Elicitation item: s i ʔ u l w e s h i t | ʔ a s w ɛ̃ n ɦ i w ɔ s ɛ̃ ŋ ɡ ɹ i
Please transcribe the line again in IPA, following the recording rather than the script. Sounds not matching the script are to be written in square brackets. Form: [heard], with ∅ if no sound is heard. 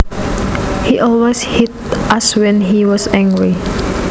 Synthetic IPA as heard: [h] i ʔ [ɔ] l w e s h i t | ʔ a s w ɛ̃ n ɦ i w ɔ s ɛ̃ ŋ ɡ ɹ i